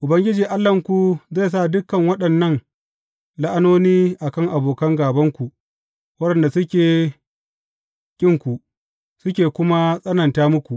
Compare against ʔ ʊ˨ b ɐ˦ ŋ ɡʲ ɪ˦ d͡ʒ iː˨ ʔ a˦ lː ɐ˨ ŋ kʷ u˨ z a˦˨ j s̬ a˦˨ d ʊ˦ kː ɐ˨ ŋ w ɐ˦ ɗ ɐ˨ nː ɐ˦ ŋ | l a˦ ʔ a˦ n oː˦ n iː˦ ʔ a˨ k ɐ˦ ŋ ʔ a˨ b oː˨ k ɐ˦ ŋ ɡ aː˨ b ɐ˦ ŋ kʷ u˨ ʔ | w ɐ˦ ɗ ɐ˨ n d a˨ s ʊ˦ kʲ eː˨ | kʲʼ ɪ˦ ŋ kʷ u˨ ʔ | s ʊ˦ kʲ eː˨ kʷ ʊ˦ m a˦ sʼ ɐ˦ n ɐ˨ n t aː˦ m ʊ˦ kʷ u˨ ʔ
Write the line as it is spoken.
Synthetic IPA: ʔ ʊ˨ b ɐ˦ ŋ ɡʲ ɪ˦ d͡ʒ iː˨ ʔ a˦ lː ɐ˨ ŋ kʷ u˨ z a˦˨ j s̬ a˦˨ d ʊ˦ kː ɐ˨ ŋ w ɐ˦ ɗ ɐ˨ nː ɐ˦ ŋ | l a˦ ʔ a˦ n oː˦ n iː˦ ʔ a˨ k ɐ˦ ŋ ʔ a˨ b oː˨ k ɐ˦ ŋ ɡ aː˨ b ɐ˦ ŋ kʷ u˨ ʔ | w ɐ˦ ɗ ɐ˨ n d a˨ s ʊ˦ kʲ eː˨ | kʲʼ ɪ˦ ŋ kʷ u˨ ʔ | s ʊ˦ kʲ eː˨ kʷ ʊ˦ m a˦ sʼ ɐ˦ n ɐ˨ n t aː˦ m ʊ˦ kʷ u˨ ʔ

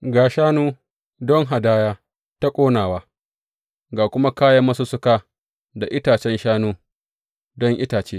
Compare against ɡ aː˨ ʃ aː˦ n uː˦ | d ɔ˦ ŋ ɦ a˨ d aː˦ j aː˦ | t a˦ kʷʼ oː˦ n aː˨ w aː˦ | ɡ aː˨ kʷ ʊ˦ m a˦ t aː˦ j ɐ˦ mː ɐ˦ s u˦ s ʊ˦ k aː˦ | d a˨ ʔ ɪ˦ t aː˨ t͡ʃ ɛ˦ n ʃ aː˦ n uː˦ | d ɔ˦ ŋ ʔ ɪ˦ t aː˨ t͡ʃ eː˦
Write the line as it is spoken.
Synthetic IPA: ɡ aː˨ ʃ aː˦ n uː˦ | d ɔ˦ ŋ ɦ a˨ d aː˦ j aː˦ | t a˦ kʷʼ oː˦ n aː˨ w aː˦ | ɡ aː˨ kʷ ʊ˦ m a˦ k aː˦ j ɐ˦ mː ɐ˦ s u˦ s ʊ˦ k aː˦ | d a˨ ʔ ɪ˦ t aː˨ t͡ʃ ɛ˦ n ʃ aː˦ n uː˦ | d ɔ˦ ŋ ʔ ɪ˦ t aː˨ t͡ʃ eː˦

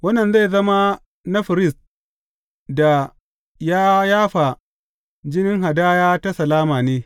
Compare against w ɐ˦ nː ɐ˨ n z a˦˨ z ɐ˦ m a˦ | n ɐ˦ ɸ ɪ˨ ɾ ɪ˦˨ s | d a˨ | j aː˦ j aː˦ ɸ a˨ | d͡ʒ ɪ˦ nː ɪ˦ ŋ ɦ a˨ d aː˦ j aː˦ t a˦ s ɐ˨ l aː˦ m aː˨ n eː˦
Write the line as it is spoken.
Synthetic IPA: w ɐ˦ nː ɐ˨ n z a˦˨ z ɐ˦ m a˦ | n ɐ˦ ɸ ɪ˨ ɾ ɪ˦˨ s | d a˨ | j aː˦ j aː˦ ɸ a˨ | d͡ʒ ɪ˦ n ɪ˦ ŋ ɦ a˨ d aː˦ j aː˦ t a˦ s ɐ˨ l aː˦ m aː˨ n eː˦

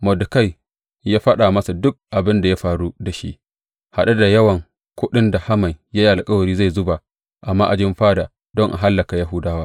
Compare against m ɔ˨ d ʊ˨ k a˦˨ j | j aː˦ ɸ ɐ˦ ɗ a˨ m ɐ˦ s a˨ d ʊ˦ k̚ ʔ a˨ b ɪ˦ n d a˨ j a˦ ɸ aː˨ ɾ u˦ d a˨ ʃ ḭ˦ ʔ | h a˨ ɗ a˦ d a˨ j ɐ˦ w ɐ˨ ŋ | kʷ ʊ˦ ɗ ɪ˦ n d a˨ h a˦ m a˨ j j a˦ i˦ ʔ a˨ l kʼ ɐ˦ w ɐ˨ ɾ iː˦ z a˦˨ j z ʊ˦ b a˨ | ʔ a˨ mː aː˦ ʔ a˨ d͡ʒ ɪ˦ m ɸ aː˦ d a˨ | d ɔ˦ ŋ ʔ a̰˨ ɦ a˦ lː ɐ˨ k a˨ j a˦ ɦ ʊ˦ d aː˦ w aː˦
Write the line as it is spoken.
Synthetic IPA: m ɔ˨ d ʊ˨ k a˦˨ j | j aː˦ ɸ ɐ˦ ɗ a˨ m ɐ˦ s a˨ d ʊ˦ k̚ ʔ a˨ b ɪ˦ n d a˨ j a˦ ɸ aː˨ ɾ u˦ d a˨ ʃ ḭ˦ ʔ | h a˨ ɗ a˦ d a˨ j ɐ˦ w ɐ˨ ŋ | kʷ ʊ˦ ɗ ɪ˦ n d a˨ h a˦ m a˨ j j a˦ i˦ ʔ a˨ l kʼ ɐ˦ w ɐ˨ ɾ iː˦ z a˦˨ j z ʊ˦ b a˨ | ʔ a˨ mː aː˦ ʔ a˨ d͡ʒ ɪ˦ m ɸ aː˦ d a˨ | d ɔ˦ ŋ ʔ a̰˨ ɦ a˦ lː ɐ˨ k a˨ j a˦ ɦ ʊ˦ d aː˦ w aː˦

